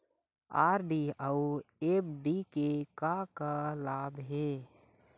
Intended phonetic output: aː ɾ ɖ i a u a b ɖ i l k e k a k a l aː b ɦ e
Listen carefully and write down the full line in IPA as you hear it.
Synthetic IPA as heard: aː ɾ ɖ i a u e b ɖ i k e k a k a l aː b ɦ e